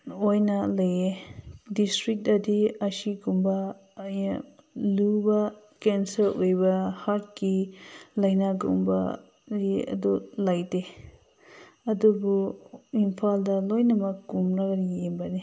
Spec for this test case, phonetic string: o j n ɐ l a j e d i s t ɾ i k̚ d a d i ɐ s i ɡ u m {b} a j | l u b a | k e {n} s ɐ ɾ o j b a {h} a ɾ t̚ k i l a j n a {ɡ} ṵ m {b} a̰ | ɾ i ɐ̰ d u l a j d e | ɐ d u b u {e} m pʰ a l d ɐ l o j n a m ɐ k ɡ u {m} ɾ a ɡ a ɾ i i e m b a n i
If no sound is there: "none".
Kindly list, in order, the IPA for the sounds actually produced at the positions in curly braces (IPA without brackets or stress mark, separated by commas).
b, n, h, ɡ, b, i, m